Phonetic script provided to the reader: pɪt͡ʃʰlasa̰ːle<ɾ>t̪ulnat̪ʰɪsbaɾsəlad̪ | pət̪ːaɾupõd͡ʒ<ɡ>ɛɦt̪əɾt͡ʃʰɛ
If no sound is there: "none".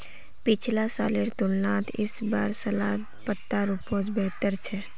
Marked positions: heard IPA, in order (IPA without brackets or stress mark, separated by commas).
ɾ, b